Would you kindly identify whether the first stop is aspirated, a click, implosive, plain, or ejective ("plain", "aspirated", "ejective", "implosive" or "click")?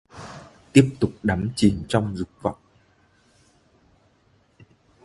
plain